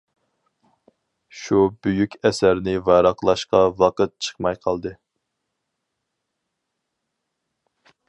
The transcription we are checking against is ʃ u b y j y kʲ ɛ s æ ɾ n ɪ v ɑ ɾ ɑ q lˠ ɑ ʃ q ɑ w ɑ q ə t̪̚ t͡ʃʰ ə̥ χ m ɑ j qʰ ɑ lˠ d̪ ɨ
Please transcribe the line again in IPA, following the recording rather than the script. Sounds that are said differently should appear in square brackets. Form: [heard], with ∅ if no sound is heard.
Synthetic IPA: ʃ u b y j y kʲ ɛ s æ ɾ n ɪ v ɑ ɾ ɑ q lˠ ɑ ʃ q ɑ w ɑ q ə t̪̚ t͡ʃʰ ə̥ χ m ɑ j qʰ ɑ lˠ d̪ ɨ